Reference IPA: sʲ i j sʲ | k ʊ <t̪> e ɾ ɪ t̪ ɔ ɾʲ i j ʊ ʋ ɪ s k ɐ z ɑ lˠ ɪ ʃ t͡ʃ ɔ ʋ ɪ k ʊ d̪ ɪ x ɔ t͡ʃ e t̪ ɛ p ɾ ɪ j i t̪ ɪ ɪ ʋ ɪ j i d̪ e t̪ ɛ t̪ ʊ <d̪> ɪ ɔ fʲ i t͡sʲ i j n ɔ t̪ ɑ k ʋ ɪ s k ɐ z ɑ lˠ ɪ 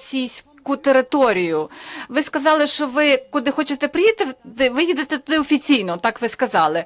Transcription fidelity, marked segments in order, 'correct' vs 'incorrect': correct, correct

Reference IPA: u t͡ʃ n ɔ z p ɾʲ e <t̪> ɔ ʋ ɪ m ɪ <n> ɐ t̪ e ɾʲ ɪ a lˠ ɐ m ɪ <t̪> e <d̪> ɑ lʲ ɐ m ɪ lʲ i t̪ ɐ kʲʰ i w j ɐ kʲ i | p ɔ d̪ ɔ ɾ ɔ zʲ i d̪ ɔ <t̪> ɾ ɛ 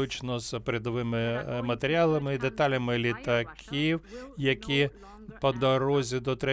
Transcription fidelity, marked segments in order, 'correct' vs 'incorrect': incorrect: d̪, incorrect: m, incorrect: d̪, incorrect: t̪, correct

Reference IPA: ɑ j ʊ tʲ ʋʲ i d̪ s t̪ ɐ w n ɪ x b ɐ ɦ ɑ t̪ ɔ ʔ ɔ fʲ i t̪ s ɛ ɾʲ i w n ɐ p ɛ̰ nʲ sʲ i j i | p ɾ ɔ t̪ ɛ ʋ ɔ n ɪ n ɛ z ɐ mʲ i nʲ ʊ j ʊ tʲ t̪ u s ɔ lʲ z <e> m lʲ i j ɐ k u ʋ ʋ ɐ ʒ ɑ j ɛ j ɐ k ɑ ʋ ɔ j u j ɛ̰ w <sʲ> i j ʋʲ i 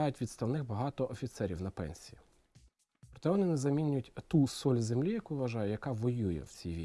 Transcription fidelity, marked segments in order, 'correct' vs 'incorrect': correct, incorrect: t͡sʲ

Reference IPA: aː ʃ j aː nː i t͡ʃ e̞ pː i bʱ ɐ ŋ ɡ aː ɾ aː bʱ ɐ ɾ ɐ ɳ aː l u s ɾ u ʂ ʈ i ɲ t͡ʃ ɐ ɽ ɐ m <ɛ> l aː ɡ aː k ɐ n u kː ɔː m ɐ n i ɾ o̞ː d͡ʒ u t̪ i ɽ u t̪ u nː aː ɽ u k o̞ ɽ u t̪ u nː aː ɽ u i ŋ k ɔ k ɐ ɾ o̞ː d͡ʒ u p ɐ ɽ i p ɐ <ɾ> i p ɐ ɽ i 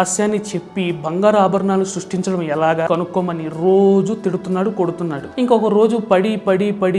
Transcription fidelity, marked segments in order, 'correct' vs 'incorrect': correct, incorrect: ɽ

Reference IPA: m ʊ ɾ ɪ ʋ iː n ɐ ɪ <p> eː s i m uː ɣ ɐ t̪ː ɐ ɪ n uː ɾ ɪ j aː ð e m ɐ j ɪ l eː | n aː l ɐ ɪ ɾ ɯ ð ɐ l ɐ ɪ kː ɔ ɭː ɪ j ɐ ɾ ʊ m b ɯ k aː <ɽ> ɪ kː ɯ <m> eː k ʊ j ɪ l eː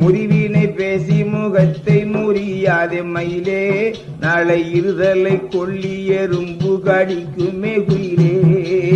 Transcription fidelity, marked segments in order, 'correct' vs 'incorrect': correct, correct, correct

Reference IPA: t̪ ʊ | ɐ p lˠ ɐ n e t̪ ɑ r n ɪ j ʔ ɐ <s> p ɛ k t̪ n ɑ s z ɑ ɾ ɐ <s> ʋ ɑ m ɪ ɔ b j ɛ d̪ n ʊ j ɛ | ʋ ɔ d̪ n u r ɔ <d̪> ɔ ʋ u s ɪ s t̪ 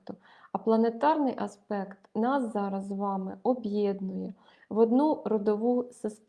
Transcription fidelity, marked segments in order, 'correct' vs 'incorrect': correct, incorrect: z, correct

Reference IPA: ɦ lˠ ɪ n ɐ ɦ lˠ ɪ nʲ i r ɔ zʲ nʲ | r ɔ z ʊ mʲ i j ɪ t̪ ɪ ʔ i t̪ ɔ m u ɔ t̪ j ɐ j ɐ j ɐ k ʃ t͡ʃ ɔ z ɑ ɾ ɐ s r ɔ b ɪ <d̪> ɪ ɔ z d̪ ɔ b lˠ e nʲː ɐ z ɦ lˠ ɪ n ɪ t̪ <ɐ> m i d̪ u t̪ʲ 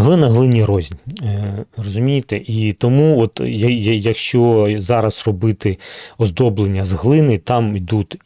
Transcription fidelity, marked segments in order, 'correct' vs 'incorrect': incorrect: t̪, incorrect: ɑ

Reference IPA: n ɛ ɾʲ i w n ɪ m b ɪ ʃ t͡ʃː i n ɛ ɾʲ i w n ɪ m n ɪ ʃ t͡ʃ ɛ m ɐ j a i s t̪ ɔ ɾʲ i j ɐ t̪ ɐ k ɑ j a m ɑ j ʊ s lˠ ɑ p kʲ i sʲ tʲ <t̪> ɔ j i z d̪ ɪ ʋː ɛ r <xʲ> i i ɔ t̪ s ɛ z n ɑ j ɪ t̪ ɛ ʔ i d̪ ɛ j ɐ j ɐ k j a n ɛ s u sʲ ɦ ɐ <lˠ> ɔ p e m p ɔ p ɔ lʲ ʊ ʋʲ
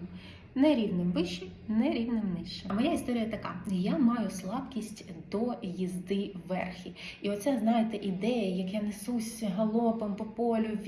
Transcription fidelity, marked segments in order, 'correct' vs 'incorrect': incorrect: d̪, correct, correct

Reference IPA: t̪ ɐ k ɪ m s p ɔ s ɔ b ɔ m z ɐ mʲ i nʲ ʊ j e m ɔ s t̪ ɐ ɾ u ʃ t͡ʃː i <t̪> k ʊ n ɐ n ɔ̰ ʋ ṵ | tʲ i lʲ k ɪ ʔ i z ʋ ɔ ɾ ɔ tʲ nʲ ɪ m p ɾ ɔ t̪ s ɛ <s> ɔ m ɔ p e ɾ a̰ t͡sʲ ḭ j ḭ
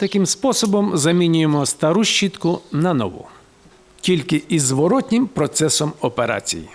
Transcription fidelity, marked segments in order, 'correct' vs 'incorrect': correct, correct

